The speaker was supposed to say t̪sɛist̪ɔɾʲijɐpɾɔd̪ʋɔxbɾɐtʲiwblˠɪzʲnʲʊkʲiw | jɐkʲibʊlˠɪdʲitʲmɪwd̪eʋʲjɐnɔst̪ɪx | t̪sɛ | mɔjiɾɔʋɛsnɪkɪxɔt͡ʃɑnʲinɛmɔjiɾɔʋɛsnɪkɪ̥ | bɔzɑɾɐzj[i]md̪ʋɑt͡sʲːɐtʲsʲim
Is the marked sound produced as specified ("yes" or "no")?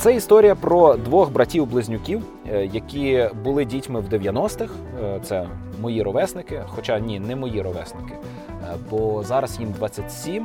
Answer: yes